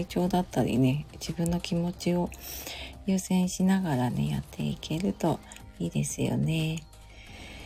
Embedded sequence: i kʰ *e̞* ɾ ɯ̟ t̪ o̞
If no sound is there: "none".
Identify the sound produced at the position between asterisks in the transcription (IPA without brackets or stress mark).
e̞